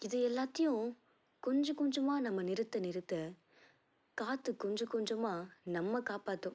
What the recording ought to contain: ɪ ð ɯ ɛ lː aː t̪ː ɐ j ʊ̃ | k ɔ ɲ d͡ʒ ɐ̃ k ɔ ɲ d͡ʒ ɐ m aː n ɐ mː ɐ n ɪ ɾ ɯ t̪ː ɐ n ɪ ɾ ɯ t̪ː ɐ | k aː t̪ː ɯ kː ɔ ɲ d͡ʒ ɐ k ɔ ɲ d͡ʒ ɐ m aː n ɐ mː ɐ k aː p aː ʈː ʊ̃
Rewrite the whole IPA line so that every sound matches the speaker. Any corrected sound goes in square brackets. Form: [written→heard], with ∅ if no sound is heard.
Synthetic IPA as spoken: ɪ ð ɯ ɛ lː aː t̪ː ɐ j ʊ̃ | k ɔ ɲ d͡ʒ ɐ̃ k ɔ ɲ d͡ʒ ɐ m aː n ɐ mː ɐ n ɪ ɾ ɯ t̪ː ɐ n ɪ ɾ ɯ t̪ː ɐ | k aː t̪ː ɯ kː ɔ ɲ d͡ʒ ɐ k ɔ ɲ d͡ʒ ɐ m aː n ɐ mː ɐ k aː p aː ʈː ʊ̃